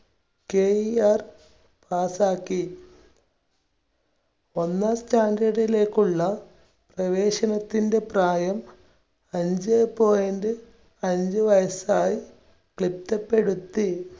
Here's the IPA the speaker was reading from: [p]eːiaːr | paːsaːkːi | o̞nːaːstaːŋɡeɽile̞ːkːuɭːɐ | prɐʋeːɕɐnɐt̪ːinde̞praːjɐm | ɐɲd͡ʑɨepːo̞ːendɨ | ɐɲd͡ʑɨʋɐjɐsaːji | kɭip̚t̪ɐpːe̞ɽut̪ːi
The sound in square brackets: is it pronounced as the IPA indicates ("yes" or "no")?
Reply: no